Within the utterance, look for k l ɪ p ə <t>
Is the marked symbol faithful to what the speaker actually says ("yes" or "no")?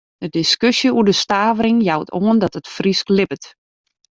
yes